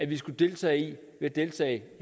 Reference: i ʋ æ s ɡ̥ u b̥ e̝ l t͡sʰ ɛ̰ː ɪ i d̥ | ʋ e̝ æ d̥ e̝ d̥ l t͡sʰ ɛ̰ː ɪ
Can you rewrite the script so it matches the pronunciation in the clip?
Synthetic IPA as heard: æ ʋ i s ɡ̥ u d̥ e̝ l t͡sʰ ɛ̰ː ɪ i | ʋ e̝ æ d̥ e̝ l t͡sʰ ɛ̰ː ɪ